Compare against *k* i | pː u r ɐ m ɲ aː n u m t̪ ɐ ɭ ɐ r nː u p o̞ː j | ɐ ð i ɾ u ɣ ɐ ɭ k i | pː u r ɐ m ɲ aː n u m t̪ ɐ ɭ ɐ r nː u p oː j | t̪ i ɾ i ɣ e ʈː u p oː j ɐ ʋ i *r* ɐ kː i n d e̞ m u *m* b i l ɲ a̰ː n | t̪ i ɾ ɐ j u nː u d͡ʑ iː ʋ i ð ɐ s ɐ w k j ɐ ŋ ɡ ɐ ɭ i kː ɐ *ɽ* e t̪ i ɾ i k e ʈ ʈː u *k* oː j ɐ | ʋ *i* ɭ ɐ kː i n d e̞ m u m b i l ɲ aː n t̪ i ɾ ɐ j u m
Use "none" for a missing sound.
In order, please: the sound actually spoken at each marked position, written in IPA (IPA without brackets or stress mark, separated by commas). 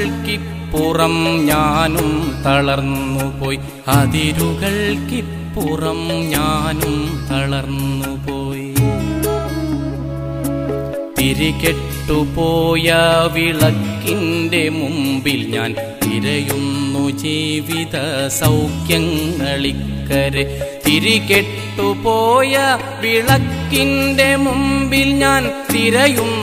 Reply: k, ɭ, m, ɾ, p, i